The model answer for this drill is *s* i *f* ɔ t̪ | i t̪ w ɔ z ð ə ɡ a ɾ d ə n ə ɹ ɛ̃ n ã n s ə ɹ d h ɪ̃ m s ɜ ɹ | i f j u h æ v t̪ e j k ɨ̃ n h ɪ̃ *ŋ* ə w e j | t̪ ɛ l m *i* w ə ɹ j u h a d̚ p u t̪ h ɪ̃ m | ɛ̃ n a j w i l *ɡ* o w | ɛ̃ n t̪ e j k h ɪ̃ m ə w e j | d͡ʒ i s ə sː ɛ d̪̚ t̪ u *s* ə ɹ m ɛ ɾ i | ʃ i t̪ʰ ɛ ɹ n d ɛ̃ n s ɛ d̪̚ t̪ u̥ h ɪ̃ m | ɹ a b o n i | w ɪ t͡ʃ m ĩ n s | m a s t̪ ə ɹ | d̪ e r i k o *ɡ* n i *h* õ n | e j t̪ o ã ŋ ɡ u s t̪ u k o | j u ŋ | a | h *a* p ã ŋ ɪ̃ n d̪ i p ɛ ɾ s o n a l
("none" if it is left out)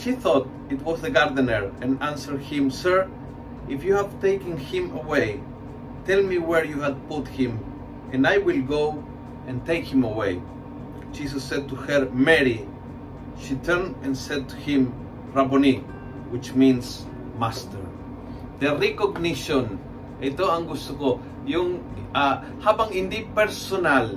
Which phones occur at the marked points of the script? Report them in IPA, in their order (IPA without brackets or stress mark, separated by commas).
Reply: ʃ, θ, m, i, ɡ, h, ɡ, ʃ, a